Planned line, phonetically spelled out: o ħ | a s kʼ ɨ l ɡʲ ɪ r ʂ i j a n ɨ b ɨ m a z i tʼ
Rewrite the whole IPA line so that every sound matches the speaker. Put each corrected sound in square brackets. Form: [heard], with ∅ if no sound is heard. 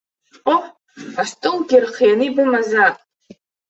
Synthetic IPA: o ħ | a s [tʼ] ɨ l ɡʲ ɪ r [χ] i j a n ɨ b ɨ m a z [a] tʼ